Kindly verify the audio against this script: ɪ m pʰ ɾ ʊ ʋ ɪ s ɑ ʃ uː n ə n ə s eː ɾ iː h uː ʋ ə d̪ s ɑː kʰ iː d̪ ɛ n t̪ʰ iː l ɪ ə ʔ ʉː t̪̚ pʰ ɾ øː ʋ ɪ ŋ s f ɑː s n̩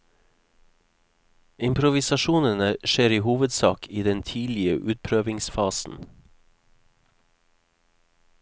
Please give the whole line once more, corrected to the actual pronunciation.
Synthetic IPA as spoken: ɪ m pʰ ɾ ʊ ʋ ɪ s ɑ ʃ uː n ə n ə ʃ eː ɾ iː h uː ʋ ə d̪ s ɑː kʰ iː d̪ ɛ n t̪ʰ iː l ɪ ə ʔ ʉː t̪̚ pʰ ɾ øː ʋ ɪ ŋ s f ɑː s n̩